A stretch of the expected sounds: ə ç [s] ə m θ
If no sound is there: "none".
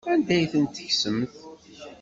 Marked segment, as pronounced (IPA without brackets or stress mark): s